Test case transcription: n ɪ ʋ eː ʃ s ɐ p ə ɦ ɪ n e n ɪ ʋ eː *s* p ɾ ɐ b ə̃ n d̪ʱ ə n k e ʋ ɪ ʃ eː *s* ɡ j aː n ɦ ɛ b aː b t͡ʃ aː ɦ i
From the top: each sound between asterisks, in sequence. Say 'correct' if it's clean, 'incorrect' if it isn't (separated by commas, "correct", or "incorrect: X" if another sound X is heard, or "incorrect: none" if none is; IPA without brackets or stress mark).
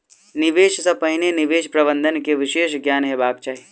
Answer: incorrect: ʃ, incorrect: ʃ